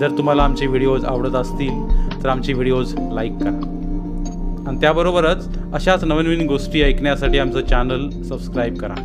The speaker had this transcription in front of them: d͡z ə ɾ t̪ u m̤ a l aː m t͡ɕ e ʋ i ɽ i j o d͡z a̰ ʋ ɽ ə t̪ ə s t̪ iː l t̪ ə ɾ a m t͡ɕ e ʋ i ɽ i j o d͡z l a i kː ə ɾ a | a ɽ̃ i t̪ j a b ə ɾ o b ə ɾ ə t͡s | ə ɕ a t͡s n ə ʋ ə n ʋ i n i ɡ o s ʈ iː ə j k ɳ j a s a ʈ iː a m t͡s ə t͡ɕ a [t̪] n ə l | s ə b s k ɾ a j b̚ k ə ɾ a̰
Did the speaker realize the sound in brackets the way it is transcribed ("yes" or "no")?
no